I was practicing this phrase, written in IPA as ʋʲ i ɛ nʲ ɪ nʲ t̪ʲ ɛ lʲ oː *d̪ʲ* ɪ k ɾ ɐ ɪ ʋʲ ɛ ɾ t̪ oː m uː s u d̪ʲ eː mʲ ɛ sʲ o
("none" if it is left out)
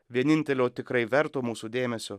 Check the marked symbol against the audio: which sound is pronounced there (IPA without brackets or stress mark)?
t̪ʲ